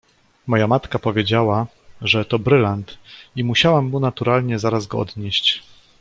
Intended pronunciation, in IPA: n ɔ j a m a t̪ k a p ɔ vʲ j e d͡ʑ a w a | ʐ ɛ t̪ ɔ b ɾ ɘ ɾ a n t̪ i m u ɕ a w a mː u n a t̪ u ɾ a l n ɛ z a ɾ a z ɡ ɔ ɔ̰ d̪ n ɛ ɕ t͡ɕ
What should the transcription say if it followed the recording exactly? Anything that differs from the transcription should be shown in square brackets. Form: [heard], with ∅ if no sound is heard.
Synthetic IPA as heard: [m] ɔ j a m a t̪ k a p ɔ vʲ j e d͡ʑ a w a | ʐ ɛ t̪ ɔ b ɾ ɘ [l] a n t̪ i m u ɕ a w a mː u n a t̪ u ɾ a l [ɲ] ɛ z a ɾ a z ɡ ɔ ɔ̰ d̪ [ɲ] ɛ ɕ t͡ɕ